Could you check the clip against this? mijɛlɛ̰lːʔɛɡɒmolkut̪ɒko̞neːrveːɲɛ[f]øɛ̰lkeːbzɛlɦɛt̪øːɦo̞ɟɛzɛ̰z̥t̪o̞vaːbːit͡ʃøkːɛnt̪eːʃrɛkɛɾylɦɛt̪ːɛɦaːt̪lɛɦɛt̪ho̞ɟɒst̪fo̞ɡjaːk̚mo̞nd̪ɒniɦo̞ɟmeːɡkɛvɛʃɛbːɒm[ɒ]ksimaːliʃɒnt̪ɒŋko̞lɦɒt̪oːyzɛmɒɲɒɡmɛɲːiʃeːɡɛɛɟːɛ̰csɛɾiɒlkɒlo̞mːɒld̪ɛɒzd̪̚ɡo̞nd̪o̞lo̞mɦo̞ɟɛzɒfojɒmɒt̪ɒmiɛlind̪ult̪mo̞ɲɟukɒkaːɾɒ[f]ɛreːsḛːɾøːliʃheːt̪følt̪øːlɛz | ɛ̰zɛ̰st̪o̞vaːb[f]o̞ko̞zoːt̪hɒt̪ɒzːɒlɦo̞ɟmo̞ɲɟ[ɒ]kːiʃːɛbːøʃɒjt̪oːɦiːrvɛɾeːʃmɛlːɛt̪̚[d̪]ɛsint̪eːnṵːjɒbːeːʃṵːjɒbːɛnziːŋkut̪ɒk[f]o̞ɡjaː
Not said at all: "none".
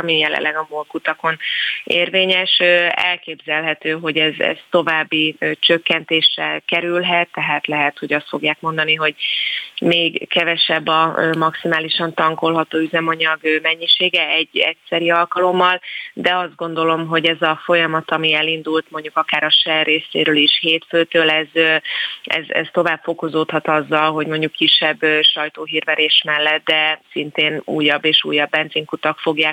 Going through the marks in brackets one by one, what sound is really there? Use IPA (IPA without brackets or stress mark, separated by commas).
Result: ʃ, ɒ, ʃ, f, u, d̪, f